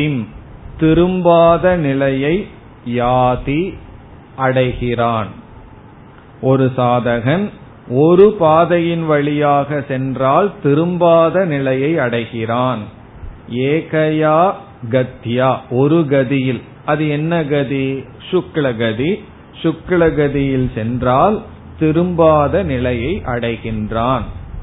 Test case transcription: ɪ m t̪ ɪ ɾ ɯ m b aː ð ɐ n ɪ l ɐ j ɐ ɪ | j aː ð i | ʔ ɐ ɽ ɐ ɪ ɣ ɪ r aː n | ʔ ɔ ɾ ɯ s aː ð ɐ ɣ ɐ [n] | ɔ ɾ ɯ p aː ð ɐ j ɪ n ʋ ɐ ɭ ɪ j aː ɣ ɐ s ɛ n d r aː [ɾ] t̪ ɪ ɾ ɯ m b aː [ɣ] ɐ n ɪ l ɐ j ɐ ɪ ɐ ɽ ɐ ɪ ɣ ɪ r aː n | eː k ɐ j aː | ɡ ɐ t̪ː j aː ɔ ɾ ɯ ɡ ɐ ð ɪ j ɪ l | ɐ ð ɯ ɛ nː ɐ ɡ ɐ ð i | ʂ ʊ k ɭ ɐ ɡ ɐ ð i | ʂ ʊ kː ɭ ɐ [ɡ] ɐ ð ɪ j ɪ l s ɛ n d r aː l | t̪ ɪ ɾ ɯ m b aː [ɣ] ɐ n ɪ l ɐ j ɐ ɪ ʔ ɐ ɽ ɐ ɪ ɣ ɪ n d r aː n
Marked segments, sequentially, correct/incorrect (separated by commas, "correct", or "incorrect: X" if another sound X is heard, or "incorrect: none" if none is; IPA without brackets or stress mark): correct, incorrect: l, incorrect: ð, correct, incorrect: ð